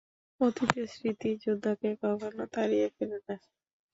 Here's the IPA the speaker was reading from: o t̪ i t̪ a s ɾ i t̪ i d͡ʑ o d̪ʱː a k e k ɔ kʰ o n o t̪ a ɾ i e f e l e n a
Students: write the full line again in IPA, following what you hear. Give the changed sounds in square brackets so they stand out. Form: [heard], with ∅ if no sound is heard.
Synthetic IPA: o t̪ i t̪ [e] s ɾ i t̪ i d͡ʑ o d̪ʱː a k e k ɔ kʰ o n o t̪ a ɾ i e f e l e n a

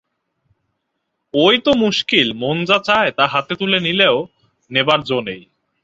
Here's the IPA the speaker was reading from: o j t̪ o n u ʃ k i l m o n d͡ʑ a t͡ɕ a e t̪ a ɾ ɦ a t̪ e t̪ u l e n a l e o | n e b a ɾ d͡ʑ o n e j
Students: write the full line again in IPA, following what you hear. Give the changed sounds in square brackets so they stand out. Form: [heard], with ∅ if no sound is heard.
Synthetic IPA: o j t̪ o [m] u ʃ k i l m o n d͡ʑ a t͡ɕ a e t̪ a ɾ ɦ a t̪ e t̪ u l e n [i] l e o | n e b a ɾ d͡ʑ o n e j

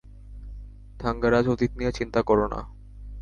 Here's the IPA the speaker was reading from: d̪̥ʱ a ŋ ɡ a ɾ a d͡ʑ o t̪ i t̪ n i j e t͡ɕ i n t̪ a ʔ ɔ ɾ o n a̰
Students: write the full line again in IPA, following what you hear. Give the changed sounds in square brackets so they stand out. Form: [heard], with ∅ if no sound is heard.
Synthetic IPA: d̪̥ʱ a ŋ ɡ a ɾ a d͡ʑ o t̪ i t̪ n i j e t͡ɕ i n t̪ a [k] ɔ ɾ o n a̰

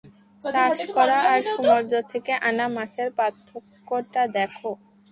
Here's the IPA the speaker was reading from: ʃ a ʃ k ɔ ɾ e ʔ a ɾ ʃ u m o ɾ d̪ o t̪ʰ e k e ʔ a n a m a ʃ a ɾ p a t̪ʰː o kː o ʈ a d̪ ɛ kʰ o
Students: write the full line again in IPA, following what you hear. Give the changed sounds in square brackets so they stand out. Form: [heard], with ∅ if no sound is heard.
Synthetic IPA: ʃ a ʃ k ɔ ɾ [a] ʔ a ɾ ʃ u m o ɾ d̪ o t̪ʰ e k e ʔ a n a m a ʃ [e] ɾ p a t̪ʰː o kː o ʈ a d̪ ɛ kʰ o

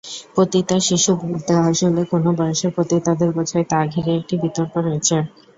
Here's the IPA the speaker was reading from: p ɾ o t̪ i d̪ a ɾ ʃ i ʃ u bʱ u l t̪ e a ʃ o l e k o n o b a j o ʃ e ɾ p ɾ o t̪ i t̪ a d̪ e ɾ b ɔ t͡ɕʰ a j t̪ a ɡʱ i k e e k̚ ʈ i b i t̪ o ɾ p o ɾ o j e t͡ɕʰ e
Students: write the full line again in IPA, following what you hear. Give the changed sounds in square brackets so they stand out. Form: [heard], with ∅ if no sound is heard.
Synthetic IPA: p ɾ o t̪ i [t̪] a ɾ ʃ i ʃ u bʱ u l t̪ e a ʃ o l e k o n o b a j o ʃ e ɾ p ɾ o t̪ i t̪ a d̪ e ɾ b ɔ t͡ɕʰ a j t̪ a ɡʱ i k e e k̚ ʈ i b i t̪ o ɾ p o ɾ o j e t͡ɕʰ e

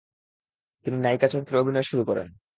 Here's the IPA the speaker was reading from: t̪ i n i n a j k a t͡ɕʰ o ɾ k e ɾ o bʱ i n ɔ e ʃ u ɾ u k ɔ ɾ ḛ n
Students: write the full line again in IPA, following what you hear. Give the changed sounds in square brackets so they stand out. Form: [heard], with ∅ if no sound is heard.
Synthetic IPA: t̪ i n i n a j k a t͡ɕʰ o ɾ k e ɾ o bʱ i n ɔ e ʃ u ɾ u k ɔ ɾ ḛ n

